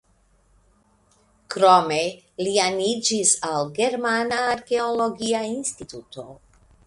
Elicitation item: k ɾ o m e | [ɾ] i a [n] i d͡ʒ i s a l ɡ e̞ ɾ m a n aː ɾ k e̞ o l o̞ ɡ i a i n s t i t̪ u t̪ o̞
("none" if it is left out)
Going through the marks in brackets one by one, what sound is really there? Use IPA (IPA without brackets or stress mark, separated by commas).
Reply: l, n